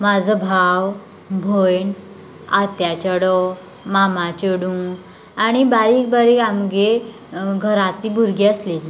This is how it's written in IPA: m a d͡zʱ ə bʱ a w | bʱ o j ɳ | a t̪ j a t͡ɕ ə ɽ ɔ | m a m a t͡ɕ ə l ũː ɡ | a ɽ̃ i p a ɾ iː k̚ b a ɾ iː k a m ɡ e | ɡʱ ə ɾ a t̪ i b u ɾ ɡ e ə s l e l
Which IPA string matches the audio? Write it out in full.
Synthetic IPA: m a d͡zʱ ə bʱ a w | bʱ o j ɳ | a t̪ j a t͡ɕ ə ɽ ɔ | m a m a t͡ɕ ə ɽ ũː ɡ | a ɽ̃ i b a ɾ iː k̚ b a ɾ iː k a m ɡ e | ɡʱ ə ɾ a t̪ i b u ɾ ɡ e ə s l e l